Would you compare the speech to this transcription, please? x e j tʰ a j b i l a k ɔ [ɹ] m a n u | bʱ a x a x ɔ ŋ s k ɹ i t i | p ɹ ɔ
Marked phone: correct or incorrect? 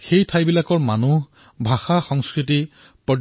correct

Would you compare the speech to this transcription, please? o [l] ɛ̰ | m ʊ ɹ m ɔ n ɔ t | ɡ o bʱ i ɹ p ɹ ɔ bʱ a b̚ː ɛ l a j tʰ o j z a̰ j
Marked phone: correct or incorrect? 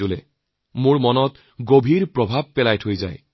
correct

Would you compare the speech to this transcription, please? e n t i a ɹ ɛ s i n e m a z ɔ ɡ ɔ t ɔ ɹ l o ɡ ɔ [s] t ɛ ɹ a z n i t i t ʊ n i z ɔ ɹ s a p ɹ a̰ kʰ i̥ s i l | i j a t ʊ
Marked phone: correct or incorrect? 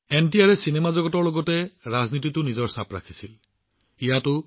incorrect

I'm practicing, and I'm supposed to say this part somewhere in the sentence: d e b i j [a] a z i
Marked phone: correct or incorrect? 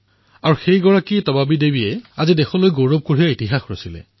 incorrect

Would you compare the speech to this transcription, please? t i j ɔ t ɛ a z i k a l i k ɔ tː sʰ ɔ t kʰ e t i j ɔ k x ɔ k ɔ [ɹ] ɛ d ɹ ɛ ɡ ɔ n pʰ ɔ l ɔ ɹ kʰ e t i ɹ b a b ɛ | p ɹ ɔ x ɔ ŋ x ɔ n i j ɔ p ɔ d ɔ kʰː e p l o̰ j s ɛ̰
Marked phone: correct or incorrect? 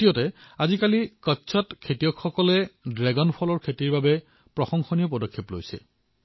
incorrect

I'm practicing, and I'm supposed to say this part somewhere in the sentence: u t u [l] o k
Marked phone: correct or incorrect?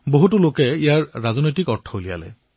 correct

